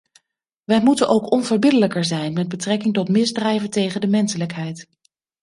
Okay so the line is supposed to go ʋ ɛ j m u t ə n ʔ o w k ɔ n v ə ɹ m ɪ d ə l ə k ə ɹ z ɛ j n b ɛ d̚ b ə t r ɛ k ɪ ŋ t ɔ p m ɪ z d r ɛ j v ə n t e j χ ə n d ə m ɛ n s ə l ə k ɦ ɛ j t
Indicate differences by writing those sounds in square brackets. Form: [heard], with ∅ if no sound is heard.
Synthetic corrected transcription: ʋ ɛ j m u t ə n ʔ o w k ɔ n v ə ɹ [b] ɪ d ə l ə k ə ɹ z ɛ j n [m] ɛ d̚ b ə t r ɛ k ɪ ŋ t ɔ [t] m ɪ z d r ɛ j v ə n t e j χ ə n d ə m ɛ n s ə l ə k ɦ ɛ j t